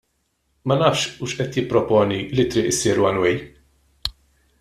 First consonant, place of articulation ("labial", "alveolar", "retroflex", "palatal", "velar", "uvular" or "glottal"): labial